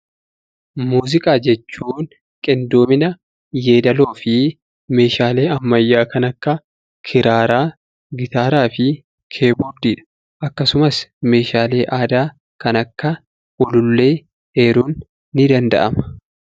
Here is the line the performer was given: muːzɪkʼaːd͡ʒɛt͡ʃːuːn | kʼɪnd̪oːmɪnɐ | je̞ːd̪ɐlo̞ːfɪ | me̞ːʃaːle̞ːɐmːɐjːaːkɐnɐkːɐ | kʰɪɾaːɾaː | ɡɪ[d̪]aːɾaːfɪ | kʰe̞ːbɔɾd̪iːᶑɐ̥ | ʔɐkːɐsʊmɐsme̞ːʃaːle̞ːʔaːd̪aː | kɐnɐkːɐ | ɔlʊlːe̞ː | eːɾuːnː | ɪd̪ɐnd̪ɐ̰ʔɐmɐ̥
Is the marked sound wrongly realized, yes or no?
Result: yes